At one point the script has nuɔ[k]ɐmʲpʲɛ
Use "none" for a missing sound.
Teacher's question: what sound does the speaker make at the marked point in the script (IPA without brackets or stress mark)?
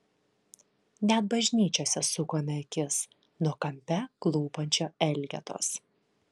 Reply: k